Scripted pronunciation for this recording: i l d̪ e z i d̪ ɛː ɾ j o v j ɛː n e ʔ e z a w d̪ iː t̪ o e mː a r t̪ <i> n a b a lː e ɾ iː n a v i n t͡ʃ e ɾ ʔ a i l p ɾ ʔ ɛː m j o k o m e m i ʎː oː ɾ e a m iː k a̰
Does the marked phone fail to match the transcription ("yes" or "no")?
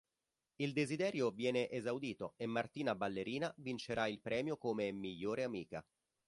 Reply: yes